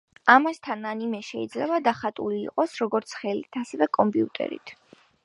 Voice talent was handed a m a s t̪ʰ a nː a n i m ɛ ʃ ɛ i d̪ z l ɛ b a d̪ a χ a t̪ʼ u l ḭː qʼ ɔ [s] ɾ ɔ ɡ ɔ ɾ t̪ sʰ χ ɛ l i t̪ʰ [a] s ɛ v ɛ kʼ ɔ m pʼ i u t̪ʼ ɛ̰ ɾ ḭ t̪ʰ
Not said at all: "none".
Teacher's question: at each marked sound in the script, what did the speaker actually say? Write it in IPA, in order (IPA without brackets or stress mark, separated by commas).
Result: s, a